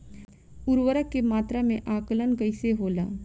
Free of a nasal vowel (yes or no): no